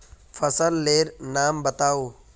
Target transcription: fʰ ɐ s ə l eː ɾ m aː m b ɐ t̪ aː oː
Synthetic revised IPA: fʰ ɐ s ə lː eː ɾ n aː m b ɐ t̪ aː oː